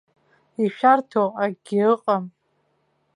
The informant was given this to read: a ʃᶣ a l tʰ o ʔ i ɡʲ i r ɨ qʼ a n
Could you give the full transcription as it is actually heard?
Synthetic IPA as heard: i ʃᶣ a r tʰ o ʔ a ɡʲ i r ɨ qʼ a m